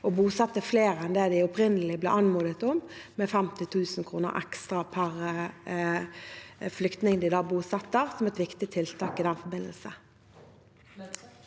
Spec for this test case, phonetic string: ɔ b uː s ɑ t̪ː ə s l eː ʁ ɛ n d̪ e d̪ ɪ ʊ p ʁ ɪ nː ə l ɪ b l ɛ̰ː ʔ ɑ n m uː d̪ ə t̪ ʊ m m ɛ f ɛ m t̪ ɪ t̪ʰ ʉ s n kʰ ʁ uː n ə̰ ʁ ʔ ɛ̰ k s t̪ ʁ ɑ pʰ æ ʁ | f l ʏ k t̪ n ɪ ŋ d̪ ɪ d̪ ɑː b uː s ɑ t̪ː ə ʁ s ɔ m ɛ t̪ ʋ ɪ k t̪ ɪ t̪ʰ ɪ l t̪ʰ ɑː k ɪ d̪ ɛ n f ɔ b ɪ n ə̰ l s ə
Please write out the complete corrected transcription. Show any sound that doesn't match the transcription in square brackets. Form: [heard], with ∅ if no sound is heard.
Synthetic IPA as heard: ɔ b uː s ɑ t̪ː ə [f] l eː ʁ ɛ n d̪ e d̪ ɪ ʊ p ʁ ɪ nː ə l ɪ b l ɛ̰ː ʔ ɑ n m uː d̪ ə t̪ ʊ m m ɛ f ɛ m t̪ ɪ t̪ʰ [ʉː] s n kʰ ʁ uː n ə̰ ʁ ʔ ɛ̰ k s t̪ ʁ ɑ pʰ æ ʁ | f l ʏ k t̪ n ɪ ŋ d̪ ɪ d̪ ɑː b uː s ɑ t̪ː ə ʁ s ɔ m ɛ t̪ ʋ ɪ k t̪ ɪ t̪ʰ ɪ l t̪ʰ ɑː k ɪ d̪ ɛ n f ɔ b ɪ n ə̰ l s ə